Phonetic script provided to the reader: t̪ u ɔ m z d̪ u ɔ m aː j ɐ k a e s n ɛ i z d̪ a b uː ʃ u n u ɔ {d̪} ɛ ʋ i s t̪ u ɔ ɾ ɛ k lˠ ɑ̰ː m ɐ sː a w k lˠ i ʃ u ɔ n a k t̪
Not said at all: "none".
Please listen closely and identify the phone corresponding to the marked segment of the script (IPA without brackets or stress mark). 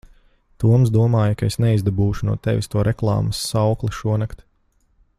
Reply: t̪